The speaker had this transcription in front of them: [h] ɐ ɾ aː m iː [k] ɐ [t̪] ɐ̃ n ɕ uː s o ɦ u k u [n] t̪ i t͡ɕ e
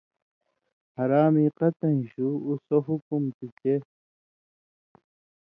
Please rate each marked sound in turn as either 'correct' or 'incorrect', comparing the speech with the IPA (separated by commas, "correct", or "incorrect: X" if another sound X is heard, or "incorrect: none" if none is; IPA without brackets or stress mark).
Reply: correct, incorrect: q, correct, incorrect: m